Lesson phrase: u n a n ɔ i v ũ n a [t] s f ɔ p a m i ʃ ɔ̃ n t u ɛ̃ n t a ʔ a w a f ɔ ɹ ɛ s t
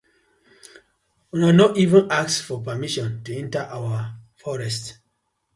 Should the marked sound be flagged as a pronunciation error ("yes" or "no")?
yes